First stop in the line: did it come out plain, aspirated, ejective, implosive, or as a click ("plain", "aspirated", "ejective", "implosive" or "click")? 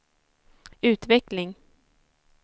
plain